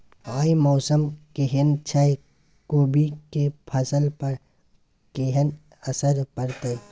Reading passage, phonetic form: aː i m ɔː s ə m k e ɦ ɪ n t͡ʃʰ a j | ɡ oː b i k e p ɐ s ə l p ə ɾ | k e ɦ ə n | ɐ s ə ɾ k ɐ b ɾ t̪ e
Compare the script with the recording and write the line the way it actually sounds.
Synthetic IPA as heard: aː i m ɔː s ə m k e ɦ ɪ n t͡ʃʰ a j | k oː b i k e pʰ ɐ s ə l p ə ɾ | k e ɦ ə n | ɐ s ə ɾ p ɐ ɾ t̪ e